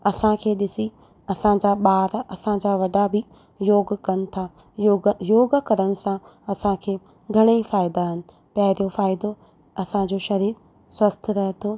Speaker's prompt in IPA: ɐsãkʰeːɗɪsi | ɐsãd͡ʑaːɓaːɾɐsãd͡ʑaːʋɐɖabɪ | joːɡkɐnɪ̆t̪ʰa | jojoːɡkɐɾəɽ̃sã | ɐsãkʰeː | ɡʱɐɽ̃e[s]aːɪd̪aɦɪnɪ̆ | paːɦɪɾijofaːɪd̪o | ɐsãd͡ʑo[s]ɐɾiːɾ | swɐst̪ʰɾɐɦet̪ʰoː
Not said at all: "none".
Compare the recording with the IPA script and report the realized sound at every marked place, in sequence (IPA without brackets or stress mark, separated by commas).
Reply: f, ʃ